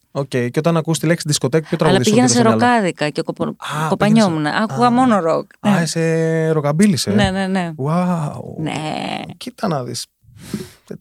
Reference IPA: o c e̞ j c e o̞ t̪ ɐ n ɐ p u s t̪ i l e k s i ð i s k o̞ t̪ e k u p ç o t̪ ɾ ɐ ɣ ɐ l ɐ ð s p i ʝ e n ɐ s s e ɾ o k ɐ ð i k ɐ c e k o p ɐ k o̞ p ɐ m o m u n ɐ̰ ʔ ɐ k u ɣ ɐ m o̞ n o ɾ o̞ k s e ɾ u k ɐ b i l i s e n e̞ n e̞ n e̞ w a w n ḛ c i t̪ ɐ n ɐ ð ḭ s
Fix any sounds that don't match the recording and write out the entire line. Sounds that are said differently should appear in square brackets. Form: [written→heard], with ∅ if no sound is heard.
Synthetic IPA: o c e̞ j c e o̞ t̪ ɐ n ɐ [p→k] u s t̪ i l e k s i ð i s k o̞ t̪ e k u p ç o t̪ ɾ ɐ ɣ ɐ l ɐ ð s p i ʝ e n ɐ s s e ɾ o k ɐ ð i k ɐ c e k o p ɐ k o̞ p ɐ [m→ɲ] o m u n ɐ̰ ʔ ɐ k u ɣ ɐ m o̞ n o ɾ o̞ k s e ɾ [u→o] k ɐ b i l i s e n e̞ n e̞ n e̞ w a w n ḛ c i t̪ ɐ n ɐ ð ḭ s